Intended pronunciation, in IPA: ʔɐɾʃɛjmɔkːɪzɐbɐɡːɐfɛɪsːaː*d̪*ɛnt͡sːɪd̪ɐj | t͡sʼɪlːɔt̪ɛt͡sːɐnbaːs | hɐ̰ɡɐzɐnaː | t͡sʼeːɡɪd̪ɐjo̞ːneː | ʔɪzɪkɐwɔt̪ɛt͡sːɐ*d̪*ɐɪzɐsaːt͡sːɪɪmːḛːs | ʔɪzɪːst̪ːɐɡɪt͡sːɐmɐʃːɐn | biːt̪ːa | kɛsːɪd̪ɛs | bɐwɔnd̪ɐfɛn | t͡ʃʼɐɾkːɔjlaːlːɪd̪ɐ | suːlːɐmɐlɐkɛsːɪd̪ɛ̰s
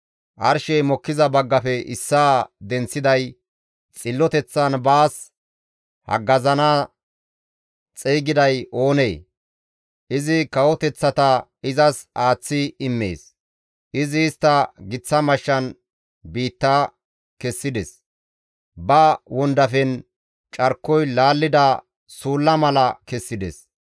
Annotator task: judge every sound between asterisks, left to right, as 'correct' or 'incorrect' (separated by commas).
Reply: correct, incorrect